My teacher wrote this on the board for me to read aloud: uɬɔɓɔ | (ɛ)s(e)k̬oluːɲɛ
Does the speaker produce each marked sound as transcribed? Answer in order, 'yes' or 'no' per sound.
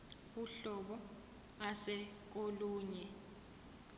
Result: no, no

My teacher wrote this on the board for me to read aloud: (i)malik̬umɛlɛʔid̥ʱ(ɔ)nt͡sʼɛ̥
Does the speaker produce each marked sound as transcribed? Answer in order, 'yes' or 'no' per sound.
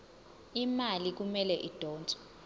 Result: yes, no

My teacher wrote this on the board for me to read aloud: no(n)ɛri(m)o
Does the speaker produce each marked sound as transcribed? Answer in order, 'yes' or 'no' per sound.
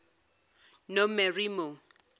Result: no, yes

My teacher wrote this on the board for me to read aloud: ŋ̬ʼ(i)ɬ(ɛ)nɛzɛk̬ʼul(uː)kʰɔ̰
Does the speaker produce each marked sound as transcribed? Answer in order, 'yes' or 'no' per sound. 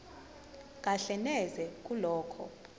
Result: no, yes, no

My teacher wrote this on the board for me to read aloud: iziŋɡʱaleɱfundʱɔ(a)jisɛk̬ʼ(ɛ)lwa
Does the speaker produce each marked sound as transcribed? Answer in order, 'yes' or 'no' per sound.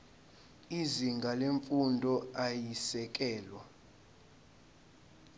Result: yes, no

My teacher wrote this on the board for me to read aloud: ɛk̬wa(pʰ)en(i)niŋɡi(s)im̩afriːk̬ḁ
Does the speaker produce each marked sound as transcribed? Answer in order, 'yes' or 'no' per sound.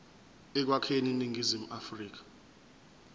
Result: no, yes, no

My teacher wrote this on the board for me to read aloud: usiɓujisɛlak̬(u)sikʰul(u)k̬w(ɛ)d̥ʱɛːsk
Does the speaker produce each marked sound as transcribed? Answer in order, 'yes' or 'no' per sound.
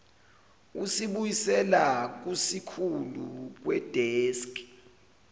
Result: yes, yes, yes

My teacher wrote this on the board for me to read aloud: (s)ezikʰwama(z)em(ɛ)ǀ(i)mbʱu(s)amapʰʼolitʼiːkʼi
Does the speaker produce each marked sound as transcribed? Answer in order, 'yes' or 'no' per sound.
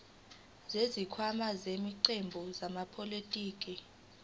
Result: no, yes, no, no, no

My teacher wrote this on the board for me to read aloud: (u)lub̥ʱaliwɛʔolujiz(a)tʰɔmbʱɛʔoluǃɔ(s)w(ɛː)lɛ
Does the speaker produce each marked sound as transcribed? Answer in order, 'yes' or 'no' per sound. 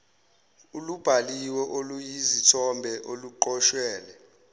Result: yes, no, no, yes

